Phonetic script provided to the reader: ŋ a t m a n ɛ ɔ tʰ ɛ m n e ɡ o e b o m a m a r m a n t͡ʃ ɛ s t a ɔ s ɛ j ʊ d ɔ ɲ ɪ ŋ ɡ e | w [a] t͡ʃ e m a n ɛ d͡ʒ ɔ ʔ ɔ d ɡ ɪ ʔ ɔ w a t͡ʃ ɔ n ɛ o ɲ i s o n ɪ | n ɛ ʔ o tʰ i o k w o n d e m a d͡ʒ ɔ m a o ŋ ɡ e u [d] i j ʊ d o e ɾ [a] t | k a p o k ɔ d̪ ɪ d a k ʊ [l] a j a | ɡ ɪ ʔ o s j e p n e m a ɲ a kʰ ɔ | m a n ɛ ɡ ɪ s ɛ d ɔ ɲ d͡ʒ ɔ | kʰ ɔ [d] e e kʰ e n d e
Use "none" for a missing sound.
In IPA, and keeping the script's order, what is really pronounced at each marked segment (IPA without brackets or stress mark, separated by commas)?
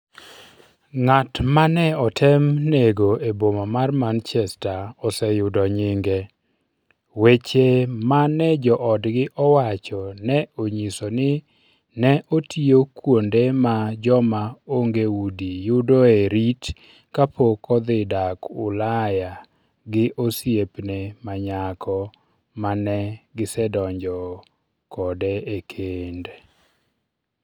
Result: e, d, i, l, d